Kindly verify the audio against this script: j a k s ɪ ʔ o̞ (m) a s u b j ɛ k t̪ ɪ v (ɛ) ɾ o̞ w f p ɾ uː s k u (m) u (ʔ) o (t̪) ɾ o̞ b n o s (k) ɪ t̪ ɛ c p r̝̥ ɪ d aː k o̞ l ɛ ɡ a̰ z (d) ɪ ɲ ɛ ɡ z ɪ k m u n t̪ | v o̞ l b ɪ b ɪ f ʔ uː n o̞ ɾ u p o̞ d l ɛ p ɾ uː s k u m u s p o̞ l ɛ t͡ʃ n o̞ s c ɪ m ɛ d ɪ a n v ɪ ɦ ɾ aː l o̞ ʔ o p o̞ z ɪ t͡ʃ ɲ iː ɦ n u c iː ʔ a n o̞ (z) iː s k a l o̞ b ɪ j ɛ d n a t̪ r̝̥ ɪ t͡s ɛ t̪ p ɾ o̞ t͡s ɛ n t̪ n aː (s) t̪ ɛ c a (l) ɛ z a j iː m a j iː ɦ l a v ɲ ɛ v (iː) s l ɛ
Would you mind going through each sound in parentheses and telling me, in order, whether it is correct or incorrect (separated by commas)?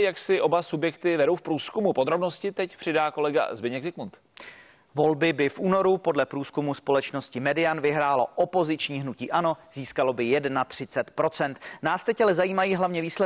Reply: incorrect, correct, correct, incorrect, incorrect, incorrect, incorrect, correct, correct, correct, correct